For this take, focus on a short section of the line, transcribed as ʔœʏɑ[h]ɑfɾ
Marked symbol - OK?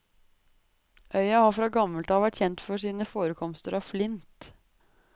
yes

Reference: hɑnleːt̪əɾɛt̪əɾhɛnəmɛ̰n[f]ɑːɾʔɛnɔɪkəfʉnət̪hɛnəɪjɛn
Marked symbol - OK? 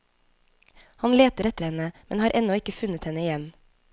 no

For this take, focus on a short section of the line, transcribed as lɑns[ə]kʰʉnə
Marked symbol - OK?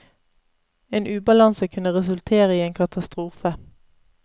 yes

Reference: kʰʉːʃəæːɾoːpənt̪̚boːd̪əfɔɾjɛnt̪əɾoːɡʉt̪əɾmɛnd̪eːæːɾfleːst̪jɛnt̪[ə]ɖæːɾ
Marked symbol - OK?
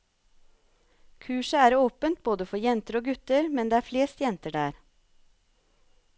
yes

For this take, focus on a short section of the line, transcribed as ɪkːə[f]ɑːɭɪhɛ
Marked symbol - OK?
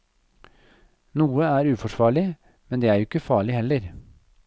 yes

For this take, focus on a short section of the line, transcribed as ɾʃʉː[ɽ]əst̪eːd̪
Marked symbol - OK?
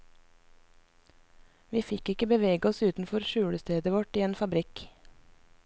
yes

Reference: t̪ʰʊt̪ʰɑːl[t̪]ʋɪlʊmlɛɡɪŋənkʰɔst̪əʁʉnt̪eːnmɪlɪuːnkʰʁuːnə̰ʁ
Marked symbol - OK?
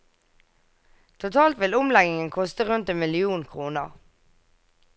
yes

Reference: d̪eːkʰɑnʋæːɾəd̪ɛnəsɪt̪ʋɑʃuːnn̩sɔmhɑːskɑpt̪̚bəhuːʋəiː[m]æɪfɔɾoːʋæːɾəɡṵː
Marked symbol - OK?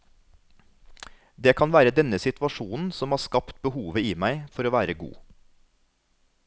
yes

